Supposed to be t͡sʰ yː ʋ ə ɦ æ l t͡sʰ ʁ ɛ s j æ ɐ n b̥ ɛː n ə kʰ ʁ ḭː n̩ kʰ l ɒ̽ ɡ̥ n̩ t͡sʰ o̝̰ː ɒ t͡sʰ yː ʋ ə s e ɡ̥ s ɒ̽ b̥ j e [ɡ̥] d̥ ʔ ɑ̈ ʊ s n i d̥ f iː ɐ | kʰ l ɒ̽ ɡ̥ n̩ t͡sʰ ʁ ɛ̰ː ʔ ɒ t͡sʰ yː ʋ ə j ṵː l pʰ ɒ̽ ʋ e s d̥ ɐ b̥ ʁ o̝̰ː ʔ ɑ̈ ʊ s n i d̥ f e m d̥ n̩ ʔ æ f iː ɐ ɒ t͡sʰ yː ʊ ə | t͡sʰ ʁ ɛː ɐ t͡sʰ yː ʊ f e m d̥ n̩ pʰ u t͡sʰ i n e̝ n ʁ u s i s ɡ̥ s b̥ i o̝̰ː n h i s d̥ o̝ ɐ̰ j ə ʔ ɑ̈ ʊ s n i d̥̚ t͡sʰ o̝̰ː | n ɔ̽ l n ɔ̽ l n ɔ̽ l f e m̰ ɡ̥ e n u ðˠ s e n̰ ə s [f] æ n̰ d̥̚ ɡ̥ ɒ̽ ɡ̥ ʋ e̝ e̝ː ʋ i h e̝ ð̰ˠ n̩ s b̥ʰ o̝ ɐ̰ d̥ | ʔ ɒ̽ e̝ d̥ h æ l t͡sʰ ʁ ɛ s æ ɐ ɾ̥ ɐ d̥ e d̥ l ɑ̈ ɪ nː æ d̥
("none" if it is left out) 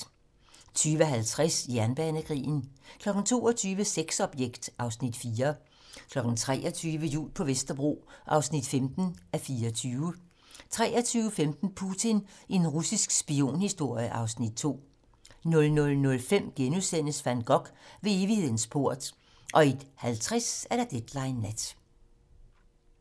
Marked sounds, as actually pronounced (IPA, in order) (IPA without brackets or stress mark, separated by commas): ɡ̥, f